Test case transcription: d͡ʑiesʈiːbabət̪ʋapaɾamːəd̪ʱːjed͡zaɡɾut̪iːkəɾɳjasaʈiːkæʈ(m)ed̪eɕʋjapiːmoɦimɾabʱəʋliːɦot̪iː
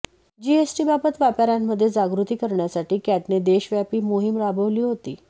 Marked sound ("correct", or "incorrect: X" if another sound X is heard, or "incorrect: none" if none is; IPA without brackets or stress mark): incorrect: n